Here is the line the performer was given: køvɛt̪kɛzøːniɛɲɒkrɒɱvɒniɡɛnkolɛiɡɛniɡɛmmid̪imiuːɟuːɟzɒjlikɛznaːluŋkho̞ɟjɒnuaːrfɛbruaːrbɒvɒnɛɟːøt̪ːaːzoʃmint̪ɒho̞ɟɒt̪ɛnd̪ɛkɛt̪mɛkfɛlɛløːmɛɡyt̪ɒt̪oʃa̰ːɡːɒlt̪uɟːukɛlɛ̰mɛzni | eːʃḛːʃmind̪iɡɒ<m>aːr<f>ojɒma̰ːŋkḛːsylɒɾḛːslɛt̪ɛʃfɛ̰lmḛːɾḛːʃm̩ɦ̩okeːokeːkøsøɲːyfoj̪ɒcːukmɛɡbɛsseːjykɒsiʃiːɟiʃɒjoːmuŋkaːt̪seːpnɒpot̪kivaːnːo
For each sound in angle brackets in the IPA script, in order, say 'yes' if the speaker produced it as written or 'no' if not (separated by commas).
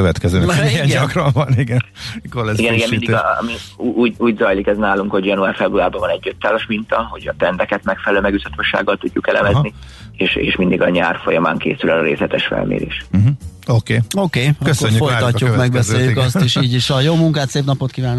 no, yes